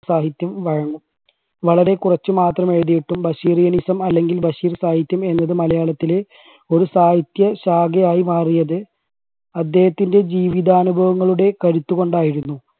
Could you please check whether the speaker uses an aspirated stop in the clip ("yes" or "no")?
no